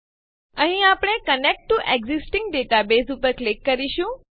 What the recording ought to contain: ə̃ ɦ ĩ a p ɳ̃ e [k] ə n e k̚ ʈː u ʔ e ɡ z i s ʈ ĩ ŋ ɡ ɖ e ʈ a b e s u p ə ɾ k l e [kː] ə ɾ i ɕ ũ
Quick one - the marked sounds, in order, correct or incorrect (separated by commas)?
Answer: correct, correct